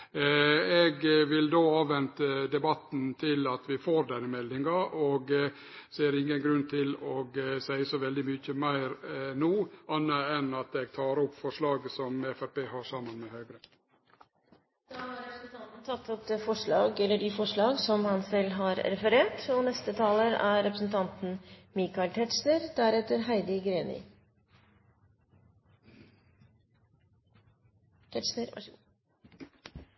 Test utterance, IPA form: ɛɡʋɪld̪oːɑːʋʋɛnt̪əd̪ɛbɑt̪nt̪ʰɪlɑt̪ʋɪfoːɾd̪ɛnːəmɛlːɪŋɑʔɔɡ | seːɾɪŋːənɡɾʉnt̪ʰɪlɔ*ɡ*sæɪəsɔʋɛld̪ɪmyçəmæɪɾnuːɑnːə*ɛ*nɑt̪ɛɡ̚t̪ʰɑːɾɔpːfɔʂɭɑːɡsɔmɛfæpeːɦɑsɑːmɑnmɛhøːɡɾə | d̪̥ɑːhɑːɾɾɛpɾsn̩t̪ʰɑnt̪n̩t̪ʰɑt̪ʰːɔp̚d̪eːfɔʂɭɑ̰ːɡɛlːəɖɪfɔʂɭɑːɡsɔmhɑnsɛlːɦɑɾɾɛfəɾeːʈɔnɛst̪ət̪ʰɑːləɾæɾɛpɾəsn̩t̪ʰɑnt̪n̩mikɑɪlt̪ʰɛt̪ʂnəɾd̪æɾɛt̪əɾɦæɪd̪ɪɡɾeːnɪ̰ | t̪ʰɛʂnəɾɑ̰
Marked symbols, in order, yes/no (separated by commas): yes, yes